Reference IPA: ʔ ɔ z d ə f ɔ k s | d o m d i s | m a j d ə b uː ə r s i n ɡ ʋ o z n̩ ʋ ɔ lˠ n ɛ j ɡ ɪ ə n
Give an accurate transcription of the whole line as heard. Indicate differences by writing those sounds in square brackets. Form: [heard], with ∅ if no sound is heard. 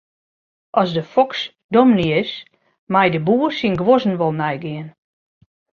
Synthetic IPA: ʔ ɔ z d ə f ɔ k s | d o m [n] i s | m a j d ə b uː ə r s i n ɡ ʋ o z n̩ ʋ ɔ lˠ n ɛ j ɡ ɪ ə n